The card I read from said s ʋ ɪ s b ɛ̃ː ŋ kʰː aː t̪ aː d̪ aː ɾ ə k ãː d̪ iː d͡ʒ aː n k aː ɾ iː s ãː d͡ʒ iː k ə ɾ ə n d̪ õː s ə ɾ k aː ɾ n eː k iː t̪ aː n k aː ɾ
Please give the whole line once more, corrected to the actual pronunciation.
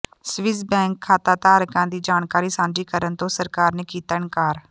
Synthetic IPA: s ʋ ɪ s b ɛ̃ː ŋ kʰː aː t̪ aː t̪ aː ɾ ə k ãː d̪ iː d͡ʒ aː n k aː ɾ iː s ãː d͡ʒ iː k ə ɾ ə n t̪ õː s ə ɾ k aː ɾ n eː k iː t̪ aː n k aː ɾ